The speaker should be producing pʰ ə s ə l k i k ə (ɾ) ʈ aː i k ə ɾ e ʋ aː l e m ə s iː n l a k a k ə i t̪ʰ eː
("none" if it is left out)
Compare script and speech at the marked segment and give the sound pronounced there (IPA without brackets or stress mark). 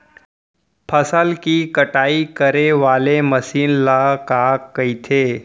none